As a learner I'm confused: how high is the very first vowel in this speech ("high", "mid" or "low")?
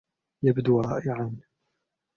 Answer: low